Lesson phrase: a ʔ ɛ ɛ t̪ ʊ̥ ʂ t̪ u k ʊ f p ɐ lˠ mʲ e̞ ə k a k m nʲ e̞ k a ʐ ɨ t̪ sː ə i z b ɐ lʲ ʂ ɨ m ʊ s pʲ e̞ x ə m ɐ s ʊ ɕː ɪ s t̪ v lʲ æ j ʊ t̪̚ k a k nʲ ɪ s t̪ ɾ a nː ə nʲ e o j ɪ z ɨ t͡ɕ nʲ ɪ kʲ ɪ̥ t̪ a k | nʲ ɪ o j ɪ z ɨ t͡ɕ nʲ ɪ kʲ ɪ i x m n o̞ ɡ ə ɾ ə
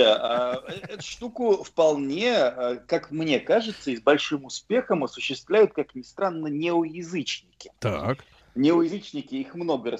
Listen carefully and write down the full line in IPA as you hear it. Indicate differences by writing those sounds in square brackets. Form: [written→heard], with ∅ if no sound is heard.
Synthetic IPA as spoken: a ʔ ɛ ɛ t̪ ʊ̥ ʂ t̪ u k ʊ f p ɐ lˠ [mʲ→nʲ] e̞ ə k a k m nʲ e̞ k a ʐ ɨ t̪ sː ə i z b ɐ lʲ ʂ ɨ m ʊ s pʲ e̞ x ə m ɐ s ʊ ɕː ɪ s t̪ v lʲ æ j ʊ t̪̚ k a k nʲ ɪ s t̪ ɾ a nː ə nʲ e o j ɪ z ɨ t͡ɕ nʲ ɪ kʲ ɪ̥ t̪ a k | nʲ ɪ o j ɪ z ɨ t͡ɕ nʲ ɪ kʲ ɪ i x m n o̞ ɡ ə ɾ ə